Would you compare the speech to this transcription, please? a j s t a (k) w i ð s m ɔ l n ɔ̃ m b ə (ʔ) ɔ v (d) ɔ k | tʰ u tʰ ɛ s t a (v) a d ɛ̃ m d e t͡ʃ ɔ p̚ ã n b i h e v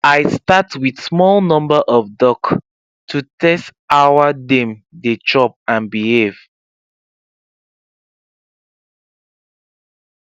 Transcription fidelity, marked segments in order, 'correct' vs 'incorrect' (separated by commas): incorrect, correct, correct, incorrect